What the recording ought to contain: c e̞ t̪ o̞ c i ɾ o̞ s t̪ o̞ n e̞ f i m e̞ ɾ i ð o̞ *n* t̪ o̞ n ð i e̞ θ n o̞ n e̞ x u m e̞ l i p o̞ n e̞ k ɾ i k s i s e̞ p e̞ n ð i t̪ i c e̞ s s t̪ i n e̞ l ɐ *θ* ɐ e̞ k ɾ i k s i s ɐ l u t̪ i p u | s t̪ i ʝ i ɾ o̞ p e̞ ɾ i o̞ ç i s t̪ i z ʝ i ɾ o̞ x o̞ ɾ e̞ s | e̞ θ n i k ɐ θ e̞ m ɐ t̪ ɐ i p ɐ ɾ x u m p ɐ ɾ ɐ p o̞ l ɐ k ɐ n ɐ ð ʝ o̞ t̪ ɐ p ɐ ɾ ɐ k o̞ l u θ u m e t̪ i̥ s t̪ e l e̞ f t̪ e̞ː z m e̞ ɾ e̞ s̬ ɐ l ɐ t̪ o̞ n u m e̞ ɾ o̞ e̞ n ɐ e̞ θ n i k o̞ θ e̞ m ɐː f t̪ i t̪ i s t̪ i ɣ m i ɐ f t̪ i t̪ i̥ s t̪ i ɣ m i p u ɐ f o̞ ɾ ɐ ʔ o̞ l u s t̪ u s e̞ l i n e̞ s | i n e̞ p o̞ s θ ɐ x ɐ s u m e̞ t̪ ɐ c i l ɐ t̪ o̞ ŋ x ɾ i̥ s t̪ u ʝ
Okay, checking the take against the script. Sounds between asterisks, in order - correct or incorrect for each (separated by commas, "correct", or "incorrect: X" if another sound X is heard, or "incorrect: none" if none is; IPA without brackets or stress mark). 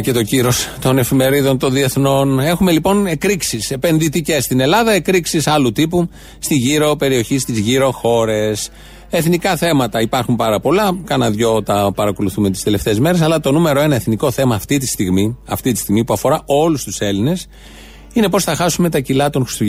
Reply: correct, incorrect: ð